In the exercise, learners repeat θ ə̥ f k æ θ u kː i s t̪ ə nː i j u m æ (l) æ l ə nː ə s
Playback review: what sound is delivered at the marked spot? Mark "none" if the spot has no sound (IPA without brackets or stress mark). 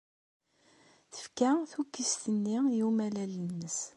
l